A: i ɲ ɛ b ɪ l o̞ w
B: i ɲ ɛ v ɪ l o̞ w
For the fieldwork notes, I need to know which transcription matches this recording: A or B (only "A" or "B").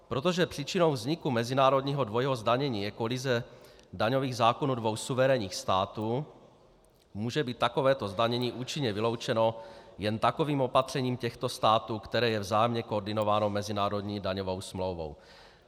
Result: B